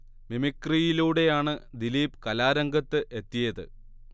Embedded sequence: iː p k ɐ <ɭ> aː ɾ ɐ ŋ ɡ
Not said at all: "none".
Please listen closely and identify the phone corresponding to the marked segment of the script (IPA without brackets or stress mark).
l